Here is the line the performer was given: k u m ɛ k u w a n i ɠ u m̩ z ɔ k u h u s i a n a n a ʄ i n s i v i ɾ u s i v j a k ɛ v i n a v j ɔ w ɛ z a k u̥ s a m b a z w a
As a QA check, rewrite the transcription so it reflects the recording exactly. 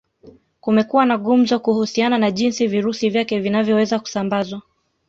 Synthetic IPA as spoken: k u m ɛ k u w a n a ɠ u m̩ z ɔ k u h u s i a n a n a ʄ i n s i v i ɾ u s i v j a k ɛ v i n a v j ɔ w ɛ z a k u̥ s a m b a z w a